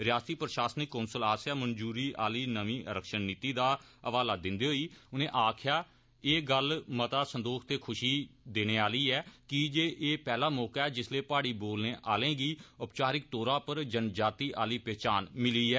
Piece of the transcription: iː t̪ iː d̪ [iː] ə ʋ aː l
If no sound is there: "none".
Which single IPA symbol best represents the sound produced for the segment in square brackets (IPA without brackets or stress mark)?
aː